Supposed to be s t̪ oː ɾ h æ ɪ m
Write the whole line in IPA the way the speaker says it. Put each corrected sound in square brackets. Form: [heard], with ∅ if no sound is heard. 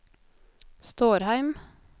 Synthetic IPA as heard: s t̪ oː ɾ h æ ɪ m